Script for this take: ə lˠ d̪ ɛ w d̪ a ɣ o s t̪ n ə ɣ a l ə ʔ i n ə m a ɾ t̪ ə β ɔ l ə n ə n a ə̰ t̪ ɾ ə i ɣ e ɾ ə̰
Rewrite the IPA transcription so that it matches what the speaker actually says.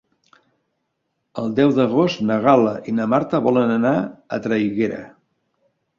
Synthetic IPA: ə lˠ d̪ ɛ w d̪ ə ɣ o s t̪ n ə ɣ a l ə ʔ i n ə m a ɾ t̪ ə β ɔ l ə n ə n a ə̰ t̪ ɾ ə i ɣ e ɾ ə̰